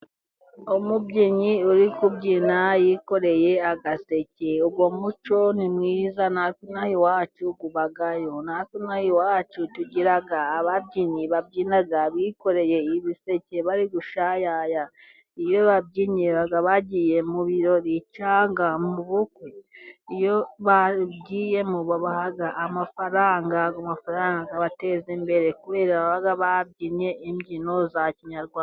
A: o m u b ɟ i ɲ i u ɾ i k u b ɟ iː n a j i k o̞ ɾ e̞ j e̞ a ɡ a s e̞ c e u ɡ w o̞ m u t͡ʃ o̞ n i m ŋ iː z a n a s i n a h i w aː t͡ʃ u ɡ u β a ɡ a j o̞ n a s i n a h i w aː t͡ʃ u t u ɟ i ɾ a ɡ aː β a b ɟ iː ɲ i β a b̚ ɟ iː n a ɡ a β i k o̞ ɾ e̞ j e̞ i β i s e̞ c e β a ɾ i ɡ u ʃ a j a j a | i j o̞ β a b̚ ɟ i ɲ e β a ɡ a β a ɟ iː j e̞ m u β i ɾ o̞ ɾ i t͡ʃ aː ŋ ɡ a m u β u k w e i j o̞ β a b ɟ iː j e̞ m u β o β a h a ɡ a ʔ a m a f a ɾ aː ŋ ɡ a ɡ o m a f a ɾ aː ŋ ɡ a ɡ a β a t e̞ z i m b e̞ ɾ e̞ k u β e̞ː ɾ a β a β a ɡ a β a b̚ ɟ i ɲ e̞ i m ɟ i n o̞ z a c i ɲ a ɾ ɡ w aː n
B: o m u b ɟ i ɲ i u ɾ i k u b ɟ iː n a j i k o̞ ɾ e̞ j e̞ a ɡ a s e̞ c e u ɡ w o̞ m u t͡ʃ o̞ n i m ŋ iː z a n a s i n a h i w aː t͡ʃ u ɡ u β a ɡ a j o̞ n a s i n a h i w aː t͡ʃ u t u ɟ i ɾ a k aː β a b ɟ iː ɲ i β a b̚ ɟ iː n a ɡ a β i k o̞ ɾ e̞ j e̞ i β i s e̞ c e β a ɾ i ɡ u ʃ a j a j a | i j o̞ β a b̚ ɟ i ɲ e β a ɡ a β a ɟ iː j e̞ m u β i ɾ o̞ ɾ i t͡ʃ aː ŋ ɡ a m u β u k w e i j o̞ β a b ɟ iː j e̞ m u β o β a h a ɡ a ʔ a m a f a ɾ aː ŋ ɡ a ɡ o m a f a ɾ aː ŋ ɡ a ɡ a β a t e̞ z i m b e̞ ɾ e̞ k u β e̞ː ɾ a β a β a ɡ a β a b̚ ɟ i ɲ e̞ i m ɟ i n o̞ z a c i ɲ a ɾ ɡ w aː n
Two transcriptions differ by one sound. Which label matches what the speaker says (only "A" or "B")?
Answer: A